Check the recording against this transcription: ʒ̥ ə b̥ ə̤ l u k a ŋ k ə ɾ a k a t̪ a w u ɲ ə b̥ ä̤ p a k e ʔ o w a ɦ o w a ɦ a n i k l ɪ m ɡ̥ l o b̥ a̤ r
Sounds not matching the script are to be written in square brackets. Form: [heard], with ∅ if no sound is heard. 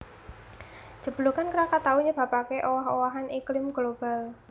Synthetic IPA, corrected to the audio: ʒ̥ ə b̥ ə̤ l u k a [n] k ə ɾ a k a t̪ a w u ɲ ə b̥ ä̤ p a k e ʔ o w a ɦ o w a ɦ a n i k l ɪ m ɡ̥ l o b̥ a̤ [l]